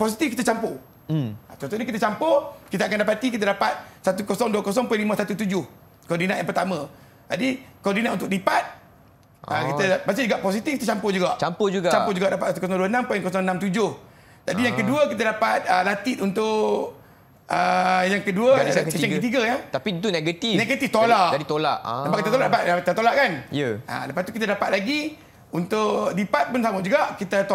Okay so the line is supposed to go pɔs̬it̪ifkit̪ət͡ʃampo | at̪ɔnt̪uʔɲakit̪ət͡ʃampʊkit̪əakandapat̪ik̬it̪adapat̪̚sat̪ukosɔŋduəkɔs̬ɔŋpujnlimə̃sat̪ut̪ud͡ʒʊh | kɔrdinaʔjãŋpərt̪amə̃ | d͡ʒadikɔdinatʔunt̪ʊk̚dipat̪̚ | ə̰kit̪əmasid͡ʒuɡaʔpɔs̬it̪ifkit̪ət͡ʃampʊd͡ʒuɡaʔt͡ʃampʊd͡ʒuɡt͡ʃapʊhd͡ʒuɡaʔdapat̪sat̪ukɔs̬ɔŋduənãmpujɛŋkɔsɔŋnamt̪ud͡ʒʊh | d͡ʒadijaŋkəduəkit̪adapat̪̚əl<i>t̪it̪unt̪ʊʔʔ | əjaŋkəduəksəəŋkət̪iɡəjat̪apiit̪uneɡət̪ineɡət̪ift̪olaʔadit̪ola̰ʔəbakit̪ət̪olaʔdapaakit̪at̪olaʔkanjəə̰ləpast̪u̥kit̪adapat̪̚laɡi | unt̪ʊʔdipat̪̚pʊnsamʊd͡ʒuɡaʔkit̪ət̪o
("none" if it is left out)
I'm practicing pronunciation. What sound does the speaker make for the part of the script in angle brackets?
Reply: a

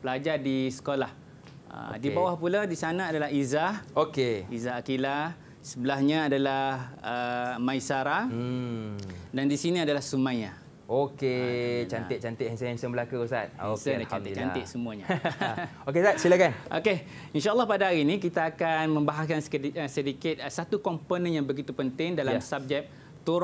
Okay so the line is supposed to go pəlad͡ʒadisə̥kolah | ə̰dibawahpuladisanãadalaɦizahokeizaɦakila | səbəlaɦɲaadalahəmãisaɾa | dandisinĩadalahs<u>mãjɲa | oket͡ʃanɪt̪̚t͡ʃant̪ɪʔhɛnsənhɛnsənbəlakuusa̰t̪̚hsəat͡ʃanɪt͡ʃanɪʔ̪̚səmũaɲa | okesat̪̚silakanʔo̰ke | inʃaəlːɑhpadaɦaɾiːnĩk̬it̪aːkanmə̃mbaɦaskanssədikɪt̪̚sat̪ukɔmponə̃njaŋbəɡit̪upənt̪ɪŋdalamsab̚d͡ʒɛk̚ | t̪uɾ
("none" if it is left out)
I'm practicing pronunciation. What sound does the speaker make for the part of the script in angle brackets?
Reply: u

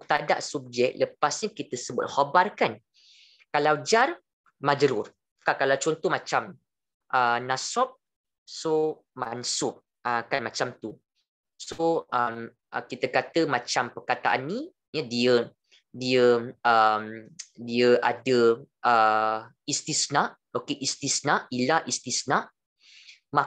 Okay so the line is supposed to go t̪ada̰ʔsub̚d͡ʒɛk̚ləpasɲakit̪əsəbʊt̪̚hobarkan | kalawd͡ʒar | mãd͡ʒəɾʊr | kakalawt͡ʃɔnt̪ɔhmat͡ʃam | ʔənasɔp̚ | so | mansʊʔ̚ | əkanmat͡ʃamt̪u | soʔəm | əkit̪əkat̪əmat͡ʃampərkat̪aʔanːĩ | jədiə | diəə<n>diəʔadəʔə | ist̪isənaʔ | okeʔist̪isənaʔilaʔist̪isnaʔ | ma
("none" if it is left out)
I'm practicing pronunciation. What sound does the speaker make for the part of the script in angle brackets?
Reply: m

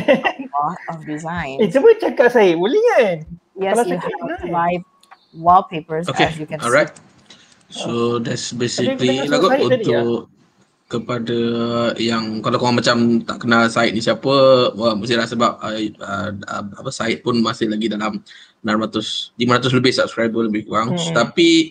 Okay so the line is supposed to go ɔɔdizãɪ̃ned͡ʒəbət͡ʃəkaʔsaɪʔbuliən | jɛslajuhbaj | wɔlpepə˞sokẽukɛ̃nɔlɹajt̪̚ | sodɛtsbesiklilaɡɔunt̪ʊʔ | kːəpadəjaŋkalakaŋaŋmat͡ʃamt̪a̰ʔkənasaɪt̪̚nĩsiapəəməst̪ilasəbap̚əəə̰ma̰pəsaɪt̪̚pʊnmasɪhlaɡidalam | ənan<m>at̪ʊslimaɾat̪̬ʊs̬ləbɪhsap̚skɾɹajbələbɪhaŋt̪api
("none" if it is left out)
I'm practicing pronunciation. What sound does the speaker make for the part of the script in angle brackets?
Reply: m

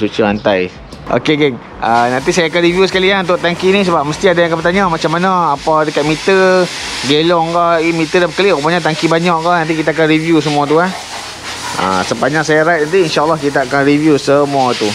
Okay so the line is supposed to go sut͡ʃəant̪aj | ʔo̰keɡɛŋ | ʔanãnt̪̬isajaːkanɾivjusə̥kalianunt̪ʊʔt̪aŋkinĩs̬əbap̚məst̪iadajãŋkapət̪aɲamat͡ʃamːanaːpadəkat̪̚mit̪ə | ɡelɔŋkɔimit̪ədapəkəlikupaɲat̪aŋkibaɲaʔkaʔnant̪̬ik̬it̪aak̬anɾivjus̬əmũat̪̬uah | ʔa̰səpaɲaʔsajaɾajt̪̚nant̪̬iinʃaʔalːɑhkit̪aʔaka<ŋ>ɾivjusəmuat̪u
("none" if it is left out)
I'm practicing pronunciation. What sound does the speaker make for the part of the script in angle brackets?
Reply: n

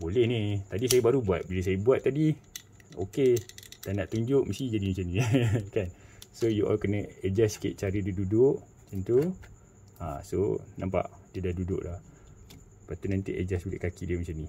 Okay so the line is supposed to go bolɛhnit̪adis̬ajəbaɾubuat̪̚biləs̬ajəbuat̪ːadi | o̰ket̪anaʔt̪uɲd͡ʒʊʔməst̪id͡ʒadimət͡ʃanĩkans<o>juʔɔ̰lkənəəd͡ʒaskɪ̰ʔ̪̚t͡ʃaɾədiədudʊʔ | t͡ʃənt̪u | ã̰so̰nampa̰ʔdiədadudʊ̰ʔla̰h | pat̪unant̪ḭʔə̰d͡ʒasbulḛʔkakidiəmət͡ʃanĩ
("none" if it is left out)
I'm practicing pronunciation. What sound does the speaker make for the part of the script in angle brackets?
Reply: o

